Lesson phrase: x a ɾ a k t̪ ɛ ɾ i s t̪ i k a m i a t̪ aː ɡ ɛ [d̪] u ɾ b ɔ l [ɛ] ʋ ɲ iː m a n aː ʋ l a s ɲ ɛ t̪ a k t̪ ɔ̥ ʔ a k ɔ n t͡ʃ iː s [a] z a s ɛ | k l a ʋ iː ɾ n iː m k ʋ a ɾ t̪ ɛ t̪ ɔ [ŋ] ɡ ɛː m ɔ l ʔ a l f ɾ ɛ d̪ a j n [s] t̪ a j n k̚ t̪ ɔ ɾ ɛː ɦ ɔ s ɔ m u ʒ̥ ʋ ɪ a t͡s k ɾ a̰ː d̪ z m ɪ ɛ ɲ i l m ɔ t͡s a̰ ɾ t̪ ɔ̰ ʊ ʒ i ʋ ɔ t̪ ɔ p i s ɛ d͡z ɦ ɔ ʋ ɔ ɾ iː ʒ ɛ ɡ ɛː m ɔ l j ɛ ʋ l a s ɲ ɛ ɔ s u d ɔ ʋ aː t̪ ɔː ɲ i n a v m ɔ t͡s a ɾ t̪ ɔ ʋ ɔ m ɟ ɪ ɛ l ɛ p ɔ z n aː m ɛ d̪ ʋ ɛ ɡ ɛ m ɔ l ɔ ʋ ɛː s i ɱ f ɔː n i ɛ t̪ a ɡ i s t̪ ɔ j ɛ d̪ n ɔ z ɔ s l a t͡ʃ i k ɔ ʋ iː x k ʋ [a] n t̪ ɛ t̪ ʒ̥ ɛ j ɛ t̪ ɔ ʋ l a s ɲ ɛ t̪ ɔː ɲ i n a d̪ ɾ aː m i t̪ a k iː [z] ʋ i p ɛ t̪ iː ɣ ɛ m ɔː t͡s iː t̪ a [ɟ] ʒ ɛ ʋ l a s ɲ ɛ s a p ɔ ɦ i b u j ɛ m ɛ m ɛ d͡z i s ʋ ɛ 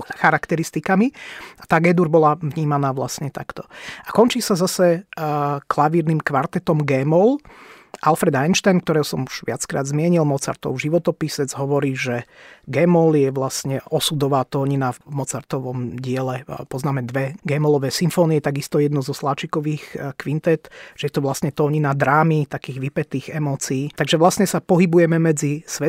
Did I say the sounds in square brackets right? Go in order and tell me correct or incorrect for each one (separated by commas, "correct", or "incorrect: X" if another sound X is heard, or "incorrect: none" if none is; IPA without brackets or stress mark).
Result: correct, incorrect: a, correct, incorrect: m, incorrect: ʃ, incorrect: i, incorrect: ɣ, incorrect: ɡ